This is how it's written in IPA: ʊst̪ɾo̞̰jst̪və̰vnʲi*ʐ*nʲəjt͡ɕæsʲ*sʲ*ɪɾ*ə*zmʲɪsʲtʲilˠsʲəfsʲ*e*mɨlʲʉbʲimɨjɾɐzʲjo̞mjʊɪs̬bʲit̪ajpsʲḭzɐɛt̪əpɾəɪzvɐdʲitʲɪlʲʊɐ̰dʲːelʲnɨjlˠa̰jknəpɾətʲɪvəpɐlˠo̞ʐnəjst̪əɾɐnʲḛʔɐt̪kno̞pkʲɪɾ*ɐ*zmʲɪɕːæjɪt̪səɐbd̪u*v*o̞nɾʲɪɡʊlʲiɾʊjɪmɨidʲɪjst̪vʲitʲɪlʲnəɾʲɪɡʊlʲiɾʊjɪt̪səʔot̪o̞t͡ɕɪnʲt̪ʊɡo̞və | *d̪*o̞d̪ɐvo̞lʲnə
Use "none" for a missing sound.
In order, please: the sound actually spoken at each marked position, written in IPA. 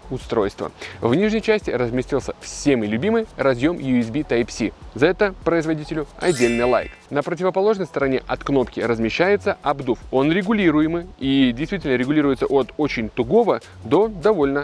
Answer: ʐ, tʲ, ə, e, ə, f, d̪

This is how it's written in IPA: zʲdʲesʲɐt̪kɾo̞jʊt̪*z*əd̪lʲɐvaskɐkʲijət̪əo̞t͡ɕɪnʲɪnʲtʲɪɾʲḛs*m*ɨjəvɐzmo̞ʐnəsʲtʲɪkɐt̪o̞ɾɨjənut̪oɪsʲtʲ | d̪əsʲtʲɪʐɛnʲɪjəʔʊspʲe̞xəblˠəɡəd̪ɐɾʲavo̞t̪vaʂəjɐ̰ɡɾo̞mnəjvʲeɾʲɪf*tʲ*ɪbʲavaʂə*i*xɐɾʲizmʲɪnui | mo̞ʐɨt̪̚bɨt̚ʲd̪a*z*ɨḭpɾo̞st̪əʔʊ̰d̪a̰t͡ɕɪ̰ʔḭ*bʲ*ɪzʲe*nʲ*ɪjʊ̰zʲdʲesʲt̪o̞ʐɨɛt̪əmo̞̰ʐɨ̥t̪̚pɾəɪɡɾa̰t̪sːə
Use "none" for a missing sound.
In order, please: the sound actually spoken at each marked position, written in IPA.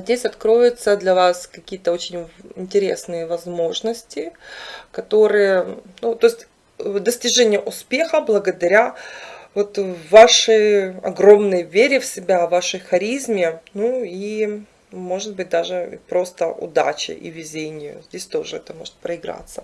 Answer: s, n, sʲ, j, ʐ, vʲ, nʲ

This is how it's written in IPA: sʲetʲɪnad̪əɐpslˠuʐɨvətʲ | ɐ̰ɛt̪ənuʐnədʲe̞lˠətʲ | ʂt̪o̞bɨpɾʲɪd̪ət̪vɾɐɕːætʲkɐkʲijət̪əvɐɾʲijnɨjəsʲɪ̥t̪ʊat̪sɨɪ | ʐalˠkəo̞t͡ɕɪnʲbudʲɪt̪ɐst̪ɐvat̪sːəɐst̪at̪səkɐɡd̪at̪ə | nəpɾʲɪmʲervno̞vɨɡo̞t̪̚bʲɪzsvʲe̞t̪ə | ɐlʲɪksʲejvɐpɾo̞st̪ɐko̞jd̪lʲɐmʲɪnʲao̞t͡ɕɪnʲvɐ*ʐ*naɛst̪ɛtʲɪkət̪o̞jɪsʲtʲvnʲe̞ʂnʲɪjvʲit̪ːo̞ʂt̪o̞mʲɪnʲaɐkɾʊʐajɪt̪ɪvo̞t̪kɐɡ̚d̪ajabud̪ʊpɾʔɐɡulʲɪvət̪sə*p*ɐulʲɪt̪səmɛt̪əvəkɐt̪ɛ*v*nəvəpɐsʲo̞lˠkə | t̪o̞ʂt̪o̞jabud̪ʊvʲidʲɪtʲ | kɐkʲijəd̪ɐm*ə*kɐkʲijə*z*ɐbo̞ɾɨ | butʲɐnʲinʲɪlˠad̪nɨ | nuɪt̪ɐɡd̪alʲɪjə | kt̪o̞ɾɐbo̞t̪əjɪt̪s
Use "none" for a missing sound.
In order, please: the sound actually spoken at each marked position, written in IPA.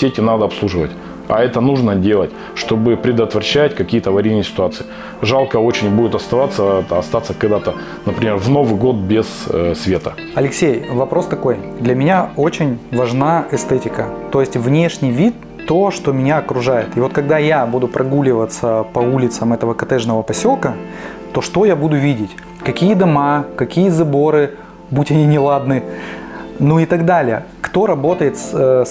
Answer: ʐ, p, ʐ, a, z

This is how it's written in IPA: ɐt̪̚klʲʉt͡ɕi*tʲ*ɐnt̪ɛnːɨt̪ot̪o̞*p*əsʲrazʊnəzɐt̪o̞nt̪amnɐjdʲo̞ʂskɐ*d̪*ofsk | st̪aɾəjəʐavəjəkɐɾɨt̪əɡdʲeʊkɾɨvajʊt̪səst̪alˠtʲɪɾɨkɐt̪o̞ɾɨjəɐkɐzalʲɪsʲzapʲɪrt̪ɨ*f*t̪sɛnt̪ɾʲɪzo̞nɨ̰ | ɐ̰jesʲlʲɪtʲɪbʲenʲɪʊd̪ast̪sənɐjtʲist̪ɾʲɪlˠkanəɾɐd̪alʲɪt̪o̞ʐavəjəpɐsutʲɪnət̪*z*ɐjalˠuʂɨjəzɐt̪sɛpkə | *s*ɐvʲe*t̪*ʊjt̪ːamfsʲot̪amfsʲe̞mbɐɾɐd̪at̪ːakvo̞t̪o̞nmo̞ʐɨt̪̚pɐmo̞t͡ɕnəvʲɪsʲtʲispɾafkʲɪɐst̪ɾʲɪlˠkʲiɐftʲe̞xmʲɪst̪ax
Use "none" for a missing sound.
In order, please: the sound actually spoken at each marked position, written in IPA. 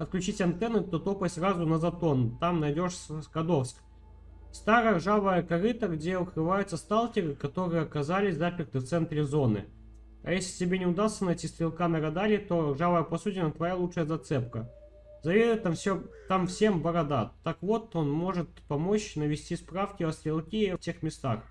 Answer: tʲ, p, d̪, f, v, z, d̪

